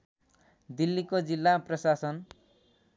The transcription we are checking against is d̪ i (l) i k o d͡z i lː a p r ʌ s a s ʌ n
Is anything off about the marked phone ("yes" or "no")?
yes